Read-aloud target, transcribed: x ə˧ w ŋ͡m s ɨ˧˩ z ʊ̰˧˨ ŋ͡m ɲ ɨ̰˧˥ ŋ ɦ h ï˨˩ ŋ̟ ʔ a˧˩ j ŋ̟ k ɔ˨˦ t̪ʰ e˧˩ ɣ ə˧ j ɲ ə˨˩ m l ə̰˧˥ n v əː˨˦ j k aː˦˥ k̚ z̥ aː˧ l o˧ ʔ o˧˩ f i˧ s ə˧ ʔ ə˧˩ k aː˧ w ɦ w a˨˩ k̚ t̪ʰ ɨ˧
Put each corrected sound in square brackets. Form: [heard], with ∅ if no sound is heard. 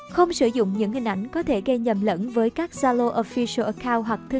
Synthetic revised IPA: x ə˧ w ŋ͡m s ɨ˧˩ z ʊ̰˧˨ ŋ͡m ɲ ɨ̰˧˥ ŋ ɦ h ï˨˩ ŋ̟ ʔ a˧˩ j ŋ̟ k ɔ˨˦ t̪ʰ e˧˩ ɣ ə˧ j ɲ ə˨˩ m l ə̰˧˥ n v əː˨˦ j k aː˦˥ k̚ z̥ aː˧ l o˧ ʔ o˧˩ f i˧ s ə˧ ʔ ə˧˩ k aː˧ w ɦ w a˨˩ k̚ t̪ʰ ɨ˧